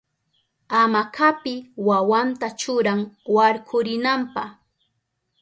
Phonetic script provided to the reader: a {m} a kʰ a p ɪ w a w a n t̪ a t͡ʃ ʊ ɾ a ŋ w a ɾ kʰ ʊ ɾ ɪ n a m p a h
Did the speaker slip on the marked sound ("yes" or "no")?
no